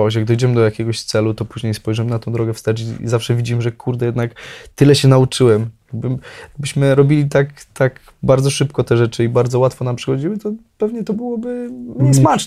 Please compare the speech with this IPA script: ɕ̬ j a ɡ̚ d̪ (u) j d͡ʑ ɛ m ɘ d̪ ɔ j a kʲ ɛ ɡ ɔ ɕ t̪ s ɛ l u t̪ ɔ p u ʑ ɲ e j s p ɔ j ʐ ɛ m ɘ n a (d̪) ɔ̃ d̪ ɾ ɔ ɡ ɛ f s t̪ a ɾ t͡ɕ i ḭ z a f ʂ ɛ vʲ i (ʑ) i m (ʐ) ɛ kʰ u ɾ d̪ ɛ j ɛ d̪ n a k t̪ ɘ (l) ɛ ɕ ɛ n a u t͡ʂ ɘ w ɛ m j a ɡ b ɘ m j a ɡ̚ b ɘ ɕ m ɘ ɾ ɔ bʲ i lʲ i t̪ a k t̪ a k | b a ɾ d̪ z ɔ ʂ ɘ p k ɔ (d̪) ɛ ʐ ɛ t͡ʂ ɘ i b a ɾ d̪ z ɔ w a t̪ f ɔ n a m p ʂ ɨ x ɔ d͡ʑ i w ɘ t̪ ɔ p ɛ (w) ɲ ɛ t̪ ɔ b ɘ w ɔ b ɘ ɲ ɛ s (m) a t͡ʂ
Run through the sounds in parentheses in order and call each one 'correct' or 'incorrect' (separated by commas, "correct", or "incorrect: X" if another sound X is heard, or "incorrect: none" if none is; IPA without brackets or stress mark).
incorrect: ɔ, incorrect: t̪, incorrect: d͡ʑ, correct, correct, incorrect: t̪, incorrect: v, correct